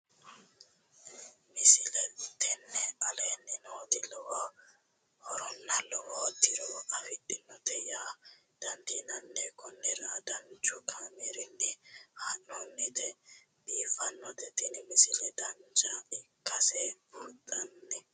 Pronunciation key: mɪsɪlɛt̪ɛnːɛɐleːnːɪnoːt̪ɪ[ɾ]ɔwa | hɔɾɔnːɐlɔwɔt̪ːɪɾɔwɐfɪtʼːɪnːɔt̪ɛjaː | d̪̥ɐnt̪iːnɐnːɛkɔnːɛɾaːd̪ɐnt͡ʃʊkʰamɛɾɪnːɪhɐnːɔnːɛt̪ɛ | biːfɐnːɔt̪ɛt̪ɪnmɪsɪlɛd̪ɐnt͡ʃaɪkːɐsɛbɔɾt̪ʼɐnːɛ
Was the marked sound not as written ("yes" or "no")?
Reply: yes